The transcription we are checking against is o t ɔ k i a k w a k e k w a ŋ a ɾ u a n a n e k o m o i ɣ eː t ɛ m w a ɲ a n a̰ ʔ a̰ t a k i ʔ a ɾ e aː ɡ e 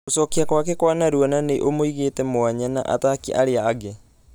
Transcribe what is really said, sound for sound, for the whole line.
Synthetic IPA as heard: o s ɔ k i a k w a k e k w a n a ɾ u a n a n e ʔ o m o i ɣ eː t ɛ m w a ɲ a n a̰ ʔ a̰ t a k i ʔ a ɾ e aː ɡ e